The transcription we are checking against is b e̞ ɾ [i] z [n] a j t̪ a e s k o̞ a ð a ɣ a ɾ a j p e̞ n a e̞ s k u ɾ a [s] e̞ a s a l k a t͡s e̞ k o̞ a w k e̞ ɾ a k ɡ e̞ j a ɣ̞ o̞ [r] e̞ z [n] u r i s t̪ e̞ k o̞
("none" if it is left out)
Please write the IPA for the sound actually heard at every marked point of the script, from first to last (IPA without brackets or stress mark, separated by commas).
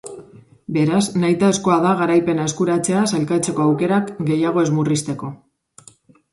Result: a, n, t͡s, none, m